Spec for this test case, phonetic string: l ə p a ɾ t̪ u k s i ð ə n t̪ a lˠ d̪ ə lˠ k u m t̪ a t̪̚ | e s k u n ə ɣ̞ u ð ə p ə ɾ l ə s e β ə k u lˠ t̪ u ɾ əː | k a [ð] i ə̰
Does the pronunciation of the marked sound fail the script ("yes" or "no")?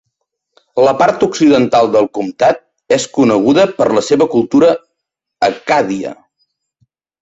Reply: no